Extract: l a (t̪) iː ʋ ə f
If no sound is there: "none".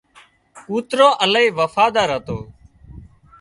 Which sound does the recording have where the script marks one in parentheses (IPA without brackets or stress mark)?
none